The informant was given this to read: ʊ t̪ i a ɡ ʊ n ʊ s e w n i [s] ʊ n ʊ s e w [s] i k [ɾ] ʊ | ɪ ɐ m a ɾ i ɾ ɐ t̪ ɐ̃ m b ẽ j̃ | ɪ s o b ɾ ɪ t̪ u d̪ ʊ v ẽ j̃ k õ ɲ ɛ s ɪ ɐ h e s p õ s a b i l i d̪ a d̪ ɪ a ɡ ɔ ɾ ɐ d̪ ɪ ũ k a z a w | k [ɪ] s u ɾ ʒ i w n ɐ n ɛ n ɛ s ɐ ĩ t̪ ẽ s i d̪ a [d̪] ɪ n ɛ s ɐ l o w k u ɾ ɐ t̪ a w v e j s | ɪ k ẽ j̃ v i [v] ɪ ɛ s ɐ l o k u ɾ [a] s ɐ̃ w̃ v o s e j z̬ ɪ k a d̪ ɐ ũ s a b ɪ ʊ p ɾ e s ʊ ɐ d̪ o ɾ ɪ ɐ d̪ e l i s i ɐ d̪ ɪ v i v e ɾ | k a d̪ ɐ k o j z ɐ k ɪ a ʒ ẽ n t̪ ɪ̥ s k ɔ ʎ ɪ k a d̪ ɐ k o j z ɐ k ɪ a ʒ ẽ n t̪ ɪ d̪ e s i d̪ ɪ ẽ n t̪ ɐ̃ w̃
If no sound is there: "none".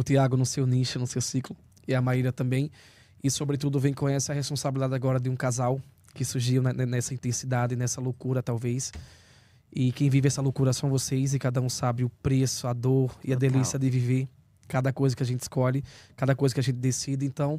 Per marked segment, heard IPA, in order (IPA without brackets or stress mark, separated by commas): ʃ, s, l, ɪ, d̪, v, ɐ